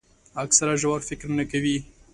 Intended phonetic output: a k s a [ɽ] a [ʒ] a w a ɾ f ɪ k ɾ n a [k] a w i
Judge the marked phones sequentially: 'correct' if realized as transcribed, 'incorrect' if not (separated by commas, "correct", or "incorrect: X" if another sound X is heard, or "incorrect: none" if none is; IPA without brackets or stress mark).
incorrect: ɾ, correct, correct